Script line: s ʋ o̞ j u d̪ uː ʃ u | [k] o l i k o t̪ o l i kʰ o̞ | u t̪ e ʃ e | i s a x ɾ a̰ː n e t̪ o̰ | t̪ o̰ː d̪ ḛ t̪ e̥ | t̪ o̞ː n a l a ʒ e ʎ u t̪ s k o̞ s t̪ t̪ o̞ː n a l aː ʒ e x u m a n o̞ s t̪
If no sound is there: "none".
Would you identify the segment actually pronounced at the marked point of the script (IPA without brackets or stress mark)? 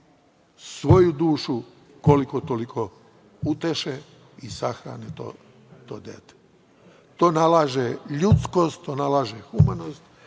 k